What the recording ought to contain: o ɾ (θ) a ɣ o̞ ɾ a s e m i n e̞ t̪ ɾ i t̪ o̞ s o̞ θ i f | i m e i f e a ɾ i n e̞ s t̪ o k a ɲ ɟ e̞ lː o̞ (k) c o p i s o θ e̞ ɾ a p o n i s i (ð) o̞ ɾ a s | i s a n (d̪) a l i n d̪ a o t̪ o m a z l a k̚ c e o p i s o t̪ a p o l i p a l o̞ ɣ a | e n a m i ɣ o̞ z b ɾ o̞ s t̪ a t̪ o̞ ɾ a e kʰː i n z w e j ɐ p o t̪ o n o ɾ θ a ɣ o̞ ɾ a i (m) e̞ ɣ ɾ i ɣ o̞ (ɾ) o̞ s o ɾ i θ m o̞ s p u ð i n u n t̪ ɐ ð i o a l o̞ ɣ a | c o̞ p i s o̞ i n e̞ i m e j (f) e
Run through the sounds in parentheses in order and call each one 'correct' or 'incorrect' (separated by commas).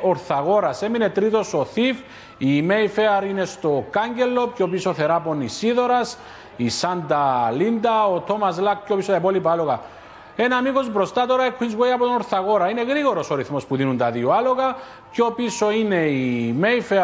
correct, incorrect, correct, correct, incorrect, correct, correct